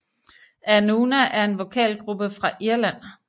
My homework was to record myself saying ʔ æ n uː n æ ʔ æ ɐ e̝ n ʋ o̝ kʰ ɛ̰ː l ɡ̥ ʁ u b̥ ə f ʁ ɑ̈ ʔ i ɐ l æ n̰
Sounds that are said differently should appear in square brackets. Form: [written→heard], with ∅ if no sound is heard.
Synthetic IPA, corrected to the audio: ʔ æ n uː n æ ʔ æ ɐ e̝ n ʋ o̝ kʰ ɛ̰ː l ɡ̥ ʁ u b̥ ə f ʁ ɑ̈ ʔ i ɐ l æ n̰